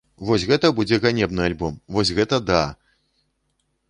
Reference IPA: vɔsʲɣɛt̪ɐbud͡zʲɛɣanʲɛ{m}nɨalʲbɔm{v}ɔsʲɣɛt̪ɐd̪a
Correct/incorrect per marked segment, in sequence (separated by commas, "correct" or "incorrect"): incorrect, correct